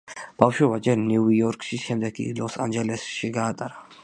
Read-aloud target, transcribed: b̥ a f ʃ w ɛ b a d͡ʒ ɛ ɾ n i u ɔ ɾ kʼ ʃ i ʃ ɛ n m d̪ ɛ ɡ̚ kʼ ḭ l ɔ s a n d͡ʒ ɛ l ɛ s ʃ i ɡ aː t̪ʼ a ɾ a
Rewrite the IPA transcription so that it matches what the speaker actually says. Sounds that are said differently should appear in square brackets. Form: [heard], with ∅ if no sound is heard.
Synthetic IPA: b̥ a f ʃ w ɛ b a d͡ʒ ɛ ɾ n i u ɔ ɾ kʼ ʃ i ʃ ɛ [∅] m d̪ ɛ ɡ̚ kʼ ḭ l ɔ s a n d͡ʒ ɛ l ɛ s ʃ i ɡ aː t̪ʼ a ɾ a